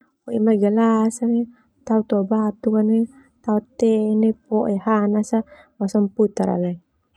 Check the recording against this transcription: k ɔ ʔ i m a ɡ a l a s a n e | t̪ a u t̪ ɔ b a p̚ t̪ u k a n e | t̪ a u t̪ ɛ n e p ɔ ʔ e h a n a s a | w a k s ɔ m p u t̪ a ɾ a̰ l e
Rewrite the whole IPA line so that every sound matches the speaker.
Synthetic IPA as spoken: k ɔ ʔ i m a ɡ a l a s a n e | t̪ a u t̪ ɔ b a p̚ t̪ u k a n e | t̪ a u t̪ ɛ n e p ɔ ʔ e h a n a s a | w a s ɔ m p u t̪ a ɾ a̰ l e